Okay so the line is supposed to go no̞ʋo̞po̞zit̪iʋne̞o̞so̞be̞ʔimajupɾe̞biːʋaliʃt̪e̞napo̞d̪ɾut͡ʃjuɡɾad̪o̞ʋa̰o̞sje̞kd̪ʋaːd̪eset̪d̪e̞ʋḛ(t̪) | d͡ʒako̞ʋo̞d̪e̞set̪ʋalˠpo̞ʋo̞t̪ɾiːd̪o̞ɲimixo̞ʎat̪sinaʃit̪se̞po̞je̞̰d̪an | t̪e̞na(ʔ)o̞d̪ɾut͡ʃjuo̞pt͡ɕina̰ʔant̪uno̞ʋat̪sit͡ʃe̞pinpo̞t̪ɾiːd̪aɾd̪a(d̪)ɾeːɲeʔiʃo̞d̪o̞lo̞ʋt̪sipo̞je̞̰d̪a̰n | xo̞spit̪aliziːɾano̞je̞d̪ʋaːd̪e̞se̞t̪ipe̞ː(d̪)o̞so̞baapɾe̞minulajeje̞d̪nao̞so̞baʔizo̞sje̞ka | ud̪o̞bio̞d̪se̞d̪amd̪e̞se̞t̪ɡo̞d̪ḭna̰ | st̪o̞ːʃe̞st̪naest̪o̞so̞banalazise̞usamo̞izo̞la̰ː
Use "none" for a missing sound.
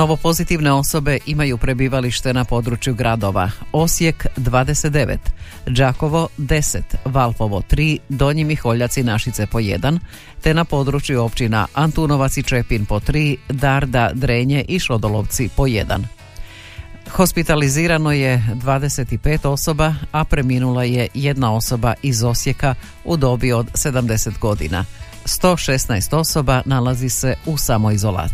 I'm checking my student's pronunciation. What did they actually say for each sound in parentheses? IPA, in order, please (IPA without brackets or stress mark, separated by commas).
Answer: t̪, p, d̪, t̪